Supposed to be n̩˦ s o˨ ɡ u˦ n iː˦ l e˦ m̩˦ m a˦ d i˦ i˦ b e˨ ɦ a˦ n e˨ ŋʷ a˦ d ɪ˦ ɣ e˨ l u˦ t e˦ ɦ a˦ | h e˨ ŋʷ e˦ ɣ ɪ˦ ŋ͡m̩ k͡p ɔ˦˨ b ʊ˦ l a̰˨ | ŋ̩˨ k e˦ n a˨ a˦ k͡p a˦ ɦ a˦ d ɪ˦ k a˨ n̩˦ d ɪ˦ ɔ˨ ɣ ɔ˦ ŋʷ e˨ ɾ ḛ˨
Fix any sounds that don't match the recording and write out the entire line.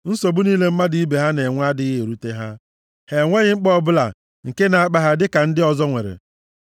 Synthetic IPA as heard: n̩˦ s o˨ b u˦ n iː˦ l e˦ m̩˦ m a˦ d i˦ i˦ b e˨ ɦ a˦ n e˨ ŋʷ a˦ d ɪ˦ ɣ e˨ ɾ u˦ t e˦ ɦ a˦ | h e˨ ŋʷ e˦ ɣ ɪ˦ ŋ͡m̩ k͡p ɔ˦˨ b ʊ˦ l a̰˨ | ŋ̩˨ k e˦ n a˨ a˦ k͡p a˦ ɦ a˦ d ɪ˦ k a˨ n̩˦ d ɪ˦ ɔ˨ z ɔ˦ ŋʷ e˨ ɾ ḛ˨